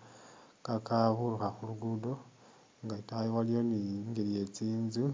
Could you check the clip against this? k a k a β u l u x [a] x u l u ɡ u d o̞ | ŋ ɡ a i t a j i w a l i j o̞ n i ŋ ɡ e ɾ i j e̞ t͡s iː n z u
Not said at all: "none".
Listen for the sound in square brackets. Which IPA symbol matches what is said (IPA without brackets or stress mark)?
a